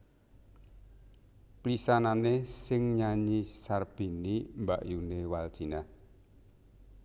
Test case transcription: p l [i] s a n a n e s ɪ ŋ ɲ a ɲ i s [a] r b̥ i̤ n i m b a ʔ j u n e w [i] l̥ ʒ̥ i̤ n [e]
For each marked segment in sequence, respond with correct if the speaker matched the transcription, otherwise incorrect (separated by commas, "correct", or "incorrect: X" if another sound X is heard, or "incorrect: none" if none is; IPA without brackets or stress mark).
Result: correct, correct, incorrect: a, incorrect: a